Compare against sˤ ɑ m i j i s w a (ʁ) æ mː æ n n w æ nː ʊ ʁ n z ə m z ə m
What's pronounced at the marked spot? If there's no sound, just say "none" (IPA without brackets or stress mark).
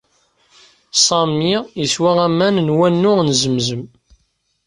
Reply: ʁ